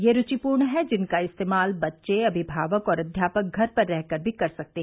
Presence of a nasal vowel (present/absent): absent